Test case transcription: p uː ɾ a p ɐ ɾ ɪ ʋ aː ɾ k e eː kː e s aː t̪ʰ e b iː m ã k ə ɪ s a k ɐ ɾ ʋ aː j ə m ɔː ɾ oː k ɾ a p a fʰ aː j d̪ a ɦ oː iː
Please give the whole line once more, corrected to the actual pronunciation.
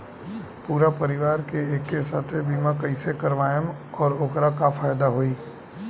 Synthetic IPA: p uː ɾ a p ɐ ɾ ɪ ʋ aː ɾ k e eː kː e s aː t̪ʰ e b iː m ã k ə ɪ s e k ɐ ɾ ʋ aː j ə m ɔː ɾ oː k ɾ a k a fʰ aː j d̪ a ɦ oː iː